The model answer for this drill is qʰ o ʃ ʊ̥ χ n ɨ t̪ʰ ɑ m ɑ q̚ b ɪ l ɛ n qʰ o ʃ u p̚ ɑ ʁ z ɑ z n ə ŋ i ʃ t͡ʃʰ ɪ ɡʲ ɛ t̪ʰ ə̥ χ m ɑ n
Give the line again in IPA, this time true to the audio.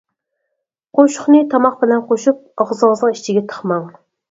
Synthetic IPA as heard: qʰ o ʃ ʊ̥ χ n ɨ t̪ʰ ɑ m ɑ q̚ b ɪ l ɛ n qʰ o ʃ u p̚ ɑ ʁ z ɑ z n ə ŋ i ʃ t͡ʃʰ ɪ ɡʲ ɛ t̪ʰ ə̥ χ m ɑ ŋ